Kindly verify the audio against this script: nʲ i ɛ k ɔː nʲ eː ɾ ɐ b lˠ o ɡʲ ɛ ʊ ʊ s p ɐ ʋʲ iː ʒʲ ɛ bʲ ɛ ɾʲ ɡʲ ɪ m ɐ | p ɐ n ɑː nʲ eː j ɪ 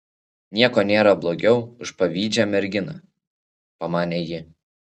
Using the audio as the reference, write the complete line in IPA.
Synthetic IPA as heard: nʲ i ɛ k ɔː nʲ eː ɾ ɐ b lˠ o ɡʲ ɛ ʊ ʊ ʃ p ɐ ʋʲ iː d͡ʒʲ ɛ mʲ ɛ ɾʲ ɡʲ ɪ n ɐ | p ɐ m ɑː nʲ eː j ɪ

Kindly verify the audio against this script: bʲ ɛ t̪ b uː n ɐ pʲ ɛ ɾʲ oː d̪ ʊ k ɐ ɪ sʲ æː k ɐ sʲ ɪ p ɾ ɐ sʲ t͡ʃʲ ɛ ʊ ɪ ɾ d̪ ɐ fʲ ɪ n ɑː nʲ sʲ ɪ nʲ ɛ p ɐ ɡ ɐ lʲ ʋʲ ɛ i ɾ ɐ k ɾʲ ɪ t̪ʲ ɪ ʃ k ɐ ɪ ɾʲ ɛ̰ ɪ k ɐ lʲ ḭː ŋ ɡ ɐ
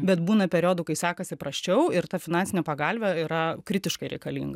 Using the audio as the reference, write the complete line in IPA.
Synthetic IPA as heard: bʲ ɛ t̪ b uː n ɐ pʲ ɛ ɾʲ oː d̪ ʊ k ɐ ɪ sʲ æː k ɐ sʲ ɪ p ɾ ɐ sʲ t͡ʃʲ ɛ ʊ ɪ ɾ t̪ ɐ fʲ ɪ n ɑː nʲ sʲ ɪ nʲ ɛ p ɐ ɡ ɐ lʲ ʋʲ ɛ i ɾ ɐ k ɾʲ ɪ t̪ʲ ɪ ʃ k ɐ ɪ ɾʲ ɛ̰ ɪ k ɐ lʲ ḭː ŋ ɡ ɐ

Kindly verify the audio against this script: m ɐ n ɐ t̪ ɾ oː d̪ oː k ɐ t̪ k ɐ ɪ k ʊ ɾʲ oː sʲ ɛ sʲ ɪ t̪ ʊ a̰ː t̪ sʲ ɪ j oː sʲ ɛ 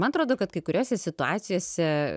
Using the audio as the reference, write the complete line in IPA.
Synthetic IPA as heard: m ɐ n ɐ t̪ ɾ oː d̪ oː k ɐ t̪ k ɐ ɪ k ʊ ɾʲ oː sʲ ɛ sʲ ɪ t̪ ʊ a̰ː t̪ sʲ ɪ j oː sʲ ɛ

